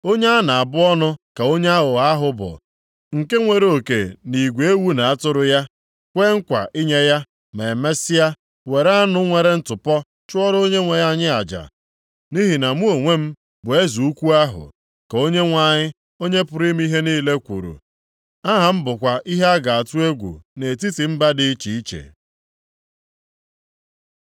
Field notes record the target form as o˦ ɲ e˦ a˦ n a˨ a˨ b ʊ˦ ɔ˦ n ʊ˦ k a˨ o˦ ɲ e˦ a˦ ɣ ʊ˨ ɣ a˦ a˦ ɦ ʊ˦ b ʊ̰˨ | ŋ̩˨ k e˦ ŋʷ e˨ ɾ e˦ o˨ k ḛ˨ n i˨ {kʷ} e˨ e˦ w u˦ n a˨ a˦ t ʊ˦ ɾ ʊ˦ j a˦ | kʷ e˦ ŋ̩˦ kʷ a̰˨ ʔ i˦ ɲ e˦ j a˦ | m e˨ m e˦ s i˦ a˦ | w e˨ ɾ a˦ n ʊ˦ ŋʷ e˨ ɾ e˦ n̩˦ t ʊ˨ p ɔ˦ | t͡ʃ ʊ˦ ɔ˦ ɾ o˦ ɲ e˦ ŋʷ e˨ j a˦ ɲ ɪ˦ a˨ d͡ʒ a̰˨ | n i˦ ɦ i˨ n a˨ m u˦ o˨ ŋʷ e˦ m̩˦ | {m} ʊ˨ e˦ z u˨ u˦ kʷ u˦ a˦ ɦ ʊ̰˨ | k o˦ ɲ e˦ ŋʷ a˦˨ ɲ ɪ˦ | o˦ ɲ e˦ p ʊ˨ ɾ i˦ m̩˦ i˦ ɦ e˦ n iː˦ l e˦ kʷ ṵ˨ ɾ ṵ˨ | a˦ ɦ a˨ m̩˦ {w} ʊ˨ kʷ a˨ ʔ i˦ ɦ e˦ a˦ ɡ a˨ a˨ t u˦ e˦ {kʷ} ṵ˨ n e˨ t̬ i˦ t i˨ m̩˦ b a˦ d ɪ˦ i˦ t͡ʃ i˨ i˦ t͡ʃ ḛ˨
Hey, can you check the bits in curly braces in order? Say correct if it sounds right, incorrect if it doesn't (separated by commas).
incorrect, incorrect, incorrect, incorrect